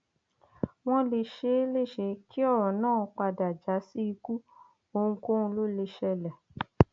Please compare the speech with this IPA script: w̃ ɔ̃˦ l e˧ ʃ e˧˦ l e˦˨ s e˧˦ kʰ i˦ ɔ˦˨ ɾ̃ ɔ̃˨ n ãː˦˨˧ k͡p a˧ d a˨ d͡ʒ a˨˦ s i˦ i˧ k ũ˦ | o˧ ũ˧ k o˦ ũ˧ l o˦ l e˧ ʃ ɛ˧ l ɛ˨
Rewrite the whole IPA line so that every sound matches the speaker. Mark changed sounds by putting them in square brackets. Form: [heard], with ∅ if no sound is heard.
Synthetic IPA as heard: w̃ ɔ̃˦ l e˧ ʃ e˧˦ l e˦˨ [ʃ] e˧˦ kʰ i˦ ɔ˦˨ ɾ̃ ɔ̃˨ n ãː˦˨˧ k͡p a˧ d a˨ d͡ʒ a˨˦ s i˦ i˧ k [u˦] | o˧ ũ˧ k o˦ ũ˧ l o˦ l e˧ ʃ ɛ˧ l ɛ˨